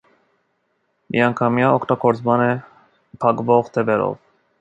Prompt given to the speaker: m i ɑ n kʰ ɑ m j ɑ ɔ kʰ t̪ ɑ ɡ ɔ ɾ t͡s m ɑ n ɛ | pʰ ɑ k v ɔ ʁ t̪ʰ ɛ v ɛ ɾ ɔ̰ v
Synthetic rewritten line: m i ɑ ŋ kʰ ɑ m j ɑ ɔ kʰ t̪ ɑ ɡ ɔ ɾ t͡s m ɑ n ɛ | pʰ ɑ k v ɔ ʁ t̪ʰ ɛ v ɛ ɾ ɔ̰ v